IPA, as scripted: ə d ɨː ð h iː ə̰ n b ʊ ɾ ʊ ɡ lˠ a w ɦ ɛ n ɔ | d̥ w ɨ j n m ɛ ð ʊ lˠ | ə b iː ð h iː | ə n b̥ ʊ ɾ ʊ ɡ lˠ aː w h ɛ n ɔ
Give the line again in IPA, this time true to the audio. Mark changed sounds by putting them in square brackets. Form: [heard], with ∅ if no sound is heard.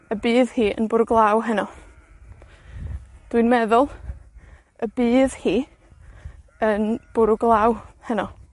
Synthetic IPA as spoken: ə [b] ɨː ð h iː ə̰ n b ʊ ɾ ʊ ɡ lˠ a w ɦ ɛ n ɔ | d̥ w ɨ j n m ɛ ð ʊ lˠ | ə b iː ð h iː | ə n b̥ ʊ ɾ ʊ ɡ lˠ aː w h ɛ n ɔ

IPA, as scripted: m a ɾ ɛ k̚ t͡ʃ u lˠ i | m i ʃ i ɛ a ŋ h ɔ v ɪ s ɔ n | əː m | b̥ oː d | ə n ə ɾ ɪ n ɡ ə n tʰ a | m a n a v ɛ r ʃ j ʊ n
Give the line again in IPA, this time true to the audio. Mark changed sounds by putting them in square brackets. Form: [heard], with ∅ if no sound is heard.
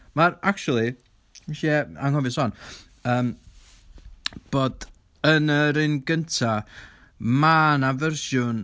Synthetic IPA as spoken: m a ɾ [a] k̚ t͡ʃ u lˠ i | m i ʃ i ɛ a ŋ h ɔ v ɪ s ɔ n | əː m | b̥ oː d | ə n ə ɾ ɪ n ɡ ə n tʰ a | m a n a v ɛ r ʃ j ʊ n

